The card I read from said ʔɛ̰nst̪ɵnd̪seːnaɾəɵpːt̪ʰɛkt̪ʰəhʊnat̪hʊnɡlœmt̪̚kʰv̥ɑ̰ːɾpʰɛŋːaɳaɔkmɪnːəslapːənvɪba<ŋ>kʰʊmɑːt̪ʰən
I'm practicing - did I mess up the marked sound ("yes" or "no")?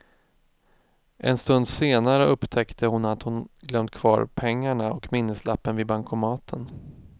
no